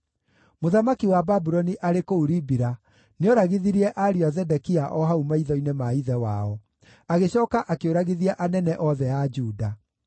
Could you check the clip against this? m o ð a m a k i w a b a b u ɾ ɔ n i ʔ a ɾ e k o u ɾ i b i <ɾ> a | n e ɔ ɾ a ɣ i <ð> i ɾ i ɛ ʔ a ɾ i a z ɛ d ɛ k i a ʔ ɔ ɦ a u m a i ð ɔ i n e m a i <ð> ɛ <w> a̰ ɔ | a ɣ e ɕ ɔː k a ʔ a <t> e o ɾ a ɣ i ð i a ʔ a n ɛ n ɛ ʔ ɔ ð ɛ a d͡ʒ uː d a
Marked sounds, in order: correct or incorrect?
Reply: correct, correct, correct, correct, incorrect: k

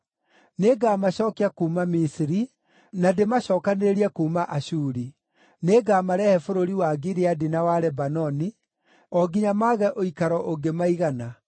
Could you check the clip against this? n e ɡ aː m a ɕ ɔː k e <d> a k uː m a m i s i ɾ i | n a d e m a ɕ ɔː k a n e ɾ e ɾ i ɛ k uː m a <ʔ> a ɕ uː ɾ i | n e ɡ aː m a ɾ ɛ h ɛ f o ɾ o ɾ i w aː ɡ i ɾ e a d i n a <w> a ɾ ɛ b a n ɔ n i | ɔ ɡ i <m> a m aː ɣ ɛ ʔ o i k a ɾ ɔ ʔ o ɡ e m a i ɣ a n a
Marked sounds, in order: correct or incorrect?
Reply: incorrect: none, correct, correct, incorrect: ɲ

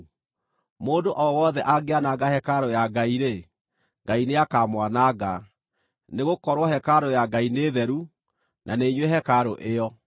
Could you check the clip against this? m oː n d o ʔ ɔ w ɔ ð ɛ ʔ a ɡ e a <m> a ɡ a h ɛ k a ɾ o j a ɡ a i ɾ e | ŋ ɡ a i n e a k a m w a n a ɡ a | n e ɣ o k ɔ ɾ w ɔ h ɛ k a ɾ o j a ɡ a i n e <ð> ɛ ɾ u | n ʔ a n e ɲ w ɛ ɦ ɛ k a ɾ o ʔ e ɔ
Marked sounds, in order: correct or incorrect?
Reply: incorrect: n, correct

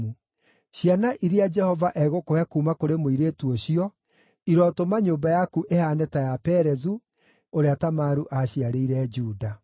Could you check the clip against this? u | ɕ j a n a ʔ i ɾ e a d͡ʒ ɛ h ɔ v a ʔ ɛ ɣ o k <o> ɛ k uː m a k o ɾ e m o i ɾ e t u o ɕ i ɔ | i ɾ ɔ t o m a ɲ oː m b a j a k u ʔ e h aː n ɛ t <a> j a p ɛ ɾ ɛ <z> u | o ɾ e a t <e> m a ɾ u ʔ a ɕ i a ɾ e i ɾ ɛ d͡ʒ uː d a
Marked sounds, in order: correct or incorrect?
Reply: correct, correct, correct, incorrect: a

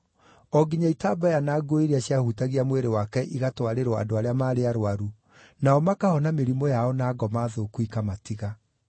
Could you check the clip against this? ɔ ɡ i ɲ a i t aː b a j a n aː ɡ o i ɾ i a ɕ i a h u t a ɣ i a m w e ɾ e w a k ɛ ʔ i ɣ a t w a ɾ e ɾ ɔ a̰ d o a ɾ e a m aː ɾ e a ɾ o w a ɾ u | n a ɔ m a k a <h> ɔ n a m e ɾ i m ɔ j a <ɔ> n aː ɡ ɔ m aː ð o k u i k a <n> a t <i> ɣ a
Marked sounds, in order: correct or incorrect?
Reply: correct, correct, incorrect: m, correct

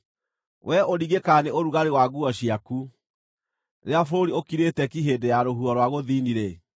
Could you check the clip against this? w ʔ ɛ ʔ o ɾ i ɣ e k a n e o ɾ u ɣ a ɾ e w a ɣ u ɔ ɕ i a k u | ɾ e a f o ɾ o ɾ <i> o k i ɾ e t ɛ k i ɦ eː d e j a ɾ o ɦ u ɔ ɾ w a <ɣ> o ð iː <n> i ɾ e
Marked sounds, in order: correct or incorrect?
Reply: correct, correct, correct

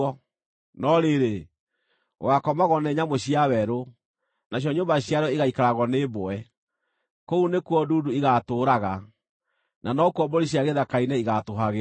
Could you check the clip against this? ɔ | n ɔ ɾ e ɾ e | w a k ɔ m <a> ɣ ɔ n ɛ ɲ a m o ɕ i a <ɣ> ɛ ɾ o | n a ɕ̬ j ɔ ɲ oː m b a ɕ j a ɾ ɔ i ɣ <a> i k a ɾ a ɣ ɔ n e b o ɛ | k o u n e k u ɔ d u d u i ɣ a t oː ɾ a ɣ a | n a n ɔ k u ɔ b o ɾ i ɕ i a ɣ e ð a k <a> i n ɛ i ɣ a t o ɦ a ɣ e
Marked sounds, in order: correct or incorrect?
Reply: correct, incorrect: w, correct, correct

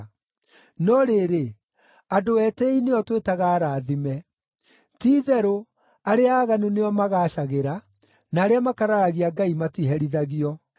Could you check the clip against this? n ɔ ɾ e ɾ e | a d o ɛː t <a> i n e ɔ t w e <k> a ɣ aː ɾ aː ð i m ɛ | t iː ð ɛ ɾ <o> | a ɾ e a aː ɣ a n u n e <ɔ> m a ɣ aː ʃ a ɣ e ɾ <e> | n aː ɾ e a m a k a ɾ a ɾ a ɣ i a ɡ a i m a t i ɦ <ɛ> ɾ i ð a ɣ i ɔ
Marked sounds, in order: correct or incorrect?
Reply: incorrect: ɛ, incorrect: t, correct, correct, incorrect: a, correct

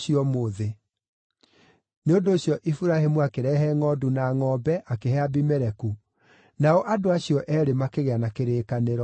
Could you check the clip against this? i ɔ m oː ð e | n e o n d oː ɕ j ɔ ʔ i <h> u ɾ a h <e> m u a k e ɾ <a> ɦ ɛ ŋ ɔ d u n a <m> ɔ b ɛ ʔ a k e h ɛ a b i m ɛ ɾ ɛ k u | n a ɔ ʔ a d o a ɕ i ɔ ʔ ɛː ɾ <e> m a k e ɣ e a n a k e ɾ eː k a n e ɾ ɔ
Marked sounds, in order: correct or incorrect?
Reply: incorrect: f, correct, incorrect: ɛ, incorrect: ŋ, correct

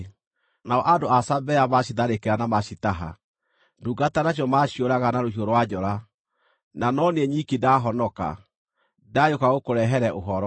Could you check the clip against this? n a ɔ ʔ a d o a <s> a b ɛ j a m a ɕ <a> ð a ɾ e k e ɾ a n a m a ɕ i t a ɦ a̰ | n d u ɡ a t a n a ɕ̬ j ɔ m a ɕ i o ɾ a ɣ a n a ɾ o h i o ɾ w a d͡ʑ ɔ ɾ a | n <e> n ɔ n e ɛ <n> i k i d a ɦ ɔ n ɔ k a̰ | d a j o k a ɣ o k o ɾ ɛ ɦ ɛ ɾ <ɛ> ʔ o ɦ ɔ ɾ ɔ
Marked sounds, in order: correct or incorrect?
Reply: correct, incorrect: i, incorrect: a, incorrect: ɲ, correct

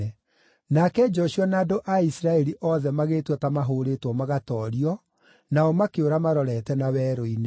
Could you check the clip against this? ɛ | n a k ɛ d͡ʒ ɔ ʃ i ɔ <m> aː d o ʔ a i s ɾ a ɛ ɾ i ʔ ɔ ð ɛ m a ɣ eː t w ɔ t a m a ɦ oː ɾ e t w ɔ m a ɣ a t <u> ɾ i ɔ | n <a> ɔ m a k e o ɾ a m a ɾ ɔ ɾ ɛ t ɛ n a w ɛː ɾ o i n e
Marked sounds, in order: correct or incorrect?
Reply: incorrect: n, incorrect: ɔ, correct

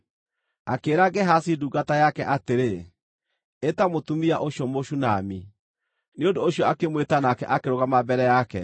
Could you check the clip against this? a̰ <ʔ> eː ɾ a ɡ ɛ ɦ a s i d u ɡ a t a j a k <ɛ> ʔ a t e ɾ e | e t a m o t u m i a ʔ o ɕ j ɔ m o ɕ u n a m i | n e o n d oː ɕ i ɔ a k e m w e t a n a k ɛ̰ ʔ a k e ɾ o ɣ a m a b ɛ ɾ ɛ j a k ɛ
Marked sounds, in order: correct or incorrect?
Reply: incorrect: k, correct

